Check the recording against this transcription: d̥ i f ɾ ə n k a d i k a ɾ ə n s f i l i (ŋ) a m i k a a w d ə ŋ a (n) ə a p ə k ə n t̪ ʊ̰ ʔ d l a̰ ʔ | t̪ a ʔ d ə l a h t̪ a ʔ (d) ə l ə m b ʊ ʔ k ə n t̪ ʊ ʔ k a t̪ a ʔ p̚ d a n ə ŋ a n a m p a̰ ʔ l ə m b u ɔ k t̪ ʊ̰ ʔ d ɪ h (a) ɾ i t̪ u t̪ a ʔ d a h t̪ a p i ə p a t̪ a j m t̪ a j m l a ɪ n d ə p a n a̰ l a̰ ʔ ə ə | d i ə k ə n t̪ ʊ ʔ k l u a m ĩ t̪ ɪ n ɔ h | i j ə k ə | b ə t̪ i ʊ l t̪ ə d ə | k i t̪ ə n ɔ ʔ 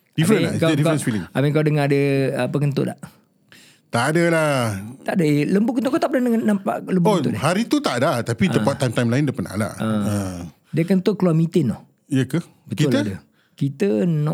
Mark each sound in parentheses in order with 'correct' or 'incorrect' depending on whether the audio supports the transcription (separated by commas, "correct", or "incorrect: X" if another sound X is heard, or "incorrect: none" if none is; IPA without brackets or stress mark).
correct, incorrect: d, correct, correct